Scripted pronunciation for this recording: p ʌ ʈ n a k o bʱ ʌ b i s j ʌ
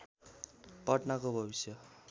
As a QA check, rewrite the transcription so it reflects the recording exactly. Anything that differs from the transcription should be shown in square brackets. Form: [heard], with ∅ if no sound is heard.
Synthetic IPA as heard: p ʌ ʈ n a k o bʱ ʌ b i s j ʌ